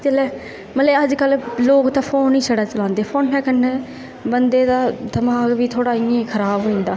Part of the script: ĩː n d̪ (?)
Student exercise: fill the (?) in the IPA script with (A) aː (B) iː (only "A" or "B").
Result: A